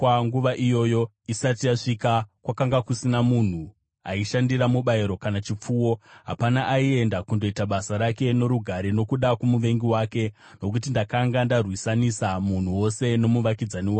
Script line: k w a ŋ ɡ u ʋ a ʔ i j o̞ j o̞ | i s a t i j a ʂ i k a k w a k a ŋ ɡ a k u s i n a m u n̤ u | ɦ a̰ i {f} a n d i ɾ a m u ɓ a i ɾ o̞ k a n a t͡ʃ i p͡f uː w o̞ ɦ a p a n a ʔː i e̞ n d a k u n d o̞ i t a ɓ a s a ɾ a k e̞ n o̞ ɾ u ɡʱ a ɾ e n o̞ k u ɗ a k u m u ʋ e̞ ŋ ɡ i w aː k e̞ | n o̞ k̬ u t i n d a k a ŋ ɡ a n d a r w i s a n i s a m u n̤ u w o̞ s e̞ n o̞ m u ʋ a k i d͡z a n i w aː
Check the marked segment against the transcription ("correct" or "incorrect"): incorrect